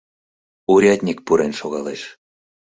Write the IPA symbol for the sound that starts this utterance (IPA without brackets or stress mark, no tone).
u